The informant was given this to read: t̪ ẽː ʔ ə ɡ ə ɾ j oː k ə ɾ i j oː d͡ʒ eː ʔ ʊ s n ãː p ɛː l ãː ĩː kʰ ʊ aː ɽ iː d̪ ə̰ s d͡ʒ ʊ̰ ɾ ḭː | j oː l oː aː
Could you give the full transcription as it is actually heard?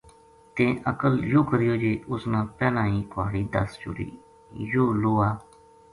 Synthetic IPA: t̪ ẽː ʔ ə k ə l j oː k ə ɾ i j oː d͡ʒ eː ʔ ʊ s n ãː p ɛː l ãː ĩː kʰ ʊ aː ɽ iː d̪ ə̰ s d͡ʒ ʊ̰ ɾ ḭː | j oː l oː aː